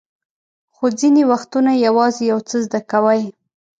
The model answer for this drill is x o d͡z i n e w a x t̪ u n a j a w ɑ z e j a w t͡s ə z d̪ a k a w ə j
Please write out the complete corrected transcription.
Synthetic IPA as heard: x o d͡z i n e w a x t̪ u n a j a w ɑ z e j a w t͡s ə z d̪ a k a w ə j